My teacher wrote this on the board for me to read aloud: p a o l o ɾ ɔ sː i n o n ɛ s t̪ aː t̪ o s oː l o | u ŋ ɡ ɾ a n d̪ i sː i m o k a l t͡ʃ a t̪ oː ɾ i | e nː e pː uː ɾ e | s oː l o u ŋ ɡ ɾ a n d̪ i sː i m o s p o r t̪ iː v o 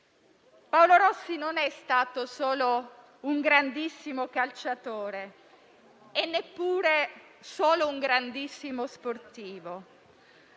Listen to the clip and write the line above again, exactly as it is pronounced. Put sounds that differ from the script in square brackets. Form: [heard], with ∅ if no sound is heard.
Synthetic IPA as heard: p a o l o ɾ ɔ sː i n o n ɛ s t̪ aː t̪ o s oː l o | u ŋ ɡ ɾ a n d̪ i sː i m o k a l t͡ʃ a t̪ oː ɾ [e] | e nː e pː uː ɾ e | s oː l o u ŋ ɡ ɾ a n d̪ i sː i m o s p o r t̪ iː v o